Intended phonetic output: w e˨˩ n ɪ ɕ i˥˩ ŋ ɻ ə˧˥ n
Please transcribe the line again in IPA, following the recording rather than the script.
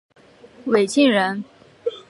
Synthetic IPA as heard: w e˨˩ ɪ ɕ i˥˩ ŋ ɻ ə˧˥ n

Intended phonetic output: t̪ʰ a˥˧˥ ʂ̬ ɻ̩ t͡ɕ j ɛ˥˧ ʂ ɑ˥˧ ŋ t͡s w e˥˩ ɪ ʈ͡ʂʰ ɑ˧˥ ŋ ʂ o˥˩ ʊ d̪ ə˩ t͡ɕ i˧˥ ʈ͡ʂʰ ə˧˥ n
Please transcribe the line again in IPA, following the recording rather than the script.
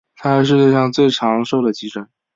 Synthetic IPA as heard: t̪ʰ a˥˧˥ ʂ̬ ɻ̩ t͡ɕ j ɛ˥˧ ʂ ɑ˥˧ ŋ t͡s w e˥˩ ɪ ʈ͡ʂʰ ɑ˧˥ ŋ ʂ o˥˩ ʊ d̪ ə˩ t͡ɕ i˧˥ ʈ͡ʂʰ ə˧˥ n

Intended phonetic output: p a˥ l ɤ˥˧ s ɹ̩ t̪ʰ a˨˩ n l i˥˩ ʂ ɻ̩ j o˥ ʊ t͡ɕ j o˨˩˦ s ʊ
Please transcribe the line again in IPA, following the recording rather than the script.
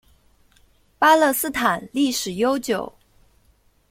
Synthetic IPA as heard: p a˥ l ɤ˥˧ s ɹ̩ t̪ʰ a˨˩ n l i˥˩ ʂ ɻ̩ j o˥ ʊ t͡ɕ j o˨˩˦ ʊ

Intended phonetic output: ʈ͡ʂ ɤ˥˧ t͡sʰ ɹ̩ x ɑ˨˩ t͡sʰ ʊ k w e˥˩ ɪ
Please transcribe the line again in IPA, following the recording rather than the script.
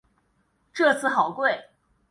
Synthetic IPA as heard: ʈ͡ʂ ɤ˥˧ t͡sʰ ɹ̩ x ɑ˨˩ ʊ k w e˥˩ ɪ

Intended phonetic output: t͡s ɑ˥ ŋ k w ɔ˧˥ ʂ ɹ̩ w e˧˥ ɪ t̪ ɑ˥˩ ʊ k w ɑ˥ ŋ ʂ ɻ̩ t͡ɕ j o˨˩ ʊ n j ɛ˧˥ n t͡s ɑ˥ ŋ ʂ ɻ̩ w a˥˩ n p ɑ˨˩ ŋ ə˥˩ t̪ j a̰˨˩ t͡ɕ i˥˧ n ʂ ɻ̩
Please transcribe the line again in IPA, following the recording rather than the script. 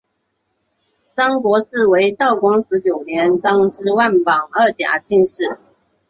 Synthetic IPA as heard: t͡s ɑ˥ ŋ k w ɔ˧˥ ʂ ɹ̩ w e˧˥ ɪ t̪ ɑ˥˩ ʊ k w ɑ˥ ŋ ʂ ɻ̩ t͡ɕ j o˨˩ ʊ n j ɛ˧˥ n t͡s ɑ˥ ŋ ʈ͡ʂ ɻ̩ w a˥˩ n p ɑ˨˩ ŋ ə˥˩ t̪ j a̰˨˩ t͡ɕ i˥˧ n ʂ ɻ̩

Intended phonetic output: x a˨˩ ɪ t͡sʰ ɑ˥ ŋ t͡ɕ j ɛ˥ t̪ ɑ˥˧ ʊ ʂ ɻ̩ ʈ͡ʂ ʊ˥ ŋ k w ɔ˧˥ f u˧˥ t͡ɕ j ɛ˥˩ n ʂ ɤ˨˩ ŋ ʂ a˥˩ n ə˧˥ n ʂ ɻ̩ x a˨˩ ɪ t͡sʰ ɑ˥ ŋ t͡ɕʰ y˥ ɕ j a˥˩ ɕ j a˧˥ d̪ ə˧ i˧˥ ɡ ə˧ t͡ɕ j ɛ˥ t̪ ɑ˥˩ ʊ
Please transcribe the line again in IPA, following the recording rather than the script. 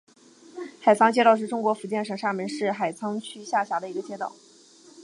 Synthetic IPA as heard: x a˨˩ ɪ t͡sʰ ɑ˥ ŋ t͡ɕ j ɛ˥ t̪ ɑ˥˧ ʊ ʂ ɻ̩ ʈ͡ʂ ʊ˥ ŋ k w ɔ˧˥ f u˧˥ t͡ɕ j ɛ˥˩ n ʂ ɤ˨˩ ŋ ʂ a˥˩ m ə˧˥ n ʂ ɻ̩ x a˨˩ ɪ t͡sʰ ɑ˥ ŋ t͡ɕʰ y˥ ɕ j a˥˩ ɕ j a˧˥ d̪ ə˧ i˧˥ ɡ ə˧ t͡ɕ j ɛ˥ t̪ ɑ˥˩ ʊ

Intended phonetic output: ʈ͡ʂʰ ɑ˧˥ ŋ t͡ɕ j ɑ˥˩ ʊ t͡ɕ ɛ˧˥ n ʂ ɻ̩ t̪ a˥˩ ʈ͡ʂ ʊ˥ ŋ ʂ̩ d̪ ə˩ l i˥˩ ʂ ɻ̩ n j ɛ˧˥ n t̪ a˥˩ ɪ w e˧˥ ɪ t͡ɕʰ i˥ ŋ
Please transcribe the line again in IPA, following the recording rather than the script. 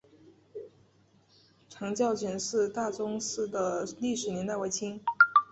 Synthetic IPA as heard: ʈ͡ʂʰ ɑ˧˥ ŋ t͡ɕ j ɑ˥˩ ʊ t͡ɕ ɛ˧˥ n ʂ ɻ̩ t̪ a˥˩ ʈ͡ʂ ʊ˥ ŋ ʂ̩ d̪ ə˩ l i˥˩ ʂ ɻ̩ n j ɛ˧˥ n t̪ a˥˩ ɪ w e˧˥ ɪ t͡ɕʰ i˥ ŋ

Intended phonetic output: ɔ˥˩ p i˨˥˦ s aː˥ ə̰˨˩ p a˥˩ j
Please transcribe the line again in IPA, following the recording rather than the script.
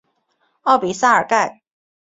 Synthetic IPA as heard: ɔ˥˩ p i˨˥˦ s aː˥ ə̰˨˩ k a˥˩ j

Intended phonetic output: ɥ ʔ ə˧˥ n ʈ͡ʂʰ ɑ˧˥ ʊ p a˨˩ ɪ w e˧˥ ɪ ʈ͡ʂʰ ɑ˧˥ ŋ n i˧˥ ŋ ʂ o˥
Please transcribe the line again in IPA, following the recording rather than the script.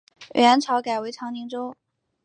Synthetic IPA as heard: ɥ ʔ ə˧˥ n ʈ͡ʂʰ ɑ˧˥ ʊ k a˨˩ ɪ w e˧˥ ɪ ʈ͡ʂʰ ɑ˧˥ ŋ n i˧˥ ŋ ʈ͡ʂ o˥

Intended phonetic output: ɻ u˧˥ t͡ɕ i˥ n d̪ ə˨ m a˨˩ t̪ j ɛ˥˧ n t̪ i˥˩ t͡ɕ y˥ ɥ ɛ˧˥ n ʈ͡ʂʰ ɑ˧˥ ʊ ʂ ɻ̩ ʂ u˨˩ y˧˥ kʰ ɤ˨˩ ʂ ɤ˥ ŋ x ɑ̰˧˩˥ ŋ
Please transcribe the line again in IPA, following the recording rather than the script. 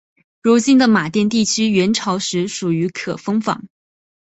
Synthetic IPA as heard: ɻ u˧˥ t͡ɕ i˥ n d̪ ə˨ m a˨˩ t̪ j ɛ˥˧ n t̪ i˥˩ t͡ɕʰ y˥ ɥ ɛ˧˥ n ʈ͡ʂʰ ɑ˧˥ ʊ ʂ ɻ̩ ʂ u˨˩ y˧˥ kʰ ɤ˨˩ f ɤ˥ ŋ f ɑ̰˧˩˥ ŋ

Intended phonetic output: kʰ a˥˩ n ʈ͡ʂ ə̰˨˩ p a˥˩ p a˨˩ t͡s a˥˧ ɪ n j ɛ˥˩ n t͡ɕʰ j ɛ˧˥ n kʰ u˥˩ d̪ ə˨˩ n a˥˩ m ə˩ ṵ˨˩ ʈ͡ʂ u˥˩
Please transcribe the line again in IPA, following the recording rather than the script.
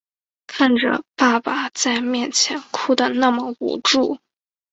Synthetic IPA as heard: kʰ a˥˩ n ʈ͡ʂ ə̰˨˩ p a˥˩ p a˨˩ t͡s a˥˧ ɪ m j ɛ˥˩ n t͡ɕʰ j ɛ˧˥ n kʰ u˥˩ d̪ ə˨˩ n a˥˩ m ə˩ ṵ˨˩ ʈ͡ʂ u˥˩

